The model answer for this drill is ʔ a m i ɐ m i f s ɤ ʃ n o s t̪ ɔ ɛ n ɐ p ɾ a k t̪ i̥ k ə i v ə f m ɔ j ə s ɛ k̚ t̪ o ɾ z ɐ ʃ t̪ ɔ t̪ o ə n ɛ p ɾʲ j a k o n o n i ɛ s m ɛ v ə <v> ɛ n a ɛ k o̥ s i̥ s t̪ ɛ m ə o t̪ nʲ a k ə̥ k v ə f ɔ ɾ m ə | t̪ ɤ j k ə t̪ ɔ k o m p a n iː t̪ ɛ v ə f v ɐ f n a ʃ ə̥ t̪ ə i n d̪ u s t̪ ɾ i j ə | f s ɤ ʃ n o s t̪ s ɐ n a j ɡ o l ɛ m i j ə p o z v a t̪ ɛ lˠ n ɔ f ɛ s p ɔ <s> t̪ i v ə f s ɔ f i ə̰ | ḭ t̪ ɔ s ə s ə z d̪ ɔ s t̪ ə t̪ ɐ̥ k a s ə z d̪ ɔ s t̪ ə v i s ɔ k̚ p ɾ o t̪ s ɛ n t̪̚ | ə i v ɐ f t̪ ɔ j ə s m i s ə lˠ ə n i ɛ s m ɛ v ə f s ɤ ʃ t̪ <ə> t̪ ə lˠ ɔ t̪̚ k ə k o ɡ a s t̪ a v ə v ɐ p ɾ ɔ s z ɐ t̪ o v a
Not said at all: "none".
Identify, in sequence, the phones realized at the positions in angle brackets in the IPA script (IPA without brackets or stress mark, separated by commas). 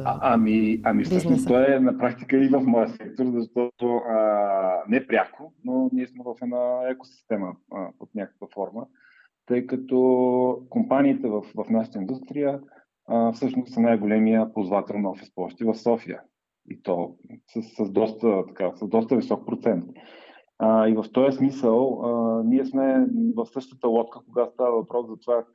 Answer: f, ʃ, ə